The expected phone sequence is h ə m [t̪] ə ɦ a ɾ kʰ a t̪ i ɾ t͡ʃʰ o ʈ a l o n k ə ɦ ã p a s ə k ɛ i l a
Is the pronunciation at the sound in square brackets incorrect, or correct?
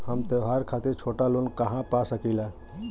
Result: correct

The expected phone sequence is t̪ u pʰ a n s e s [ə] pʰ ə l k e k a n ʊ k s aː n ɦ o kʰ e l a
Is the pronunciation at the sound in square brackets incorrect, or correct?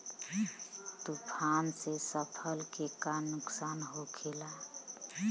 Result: correct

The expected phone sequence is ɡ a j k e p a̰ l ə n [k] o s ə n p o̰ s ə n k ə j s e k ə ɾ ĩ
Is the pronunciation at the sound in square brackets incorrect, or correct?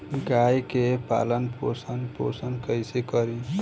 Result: incorrect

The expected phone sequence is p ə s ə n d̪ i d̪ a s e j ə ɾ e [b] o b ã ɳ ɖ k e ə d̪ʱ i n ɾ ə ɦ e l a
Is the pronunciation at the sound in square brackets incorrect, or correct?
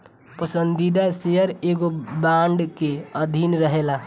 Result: incorrect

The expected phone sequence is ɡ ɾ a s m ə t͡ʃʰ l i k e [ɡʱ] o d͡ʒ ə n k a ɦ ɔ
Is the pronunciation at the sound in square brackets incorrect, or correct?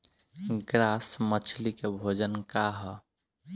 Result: incorrect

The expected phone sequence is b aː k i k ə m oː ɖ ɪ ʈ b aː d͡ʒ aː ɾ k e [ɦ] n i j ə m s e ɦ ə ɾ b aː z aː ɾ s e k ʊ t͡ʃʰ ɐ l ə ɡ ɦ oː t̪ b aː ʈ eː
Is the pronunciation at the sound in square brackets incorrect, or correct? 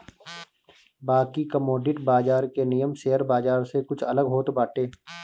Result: incorrect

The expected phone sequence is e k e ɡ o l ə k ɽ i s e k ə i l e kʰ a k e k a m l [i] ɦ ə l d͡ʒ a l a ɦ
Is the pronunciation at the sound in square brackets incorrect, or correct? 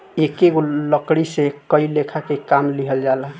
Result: correct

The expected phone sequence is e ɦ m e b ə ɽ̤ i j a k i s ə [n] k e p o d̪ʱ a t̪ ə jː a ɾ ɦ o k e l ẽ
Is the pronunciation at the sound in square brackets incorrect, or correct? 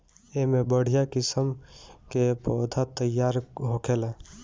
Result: incorrect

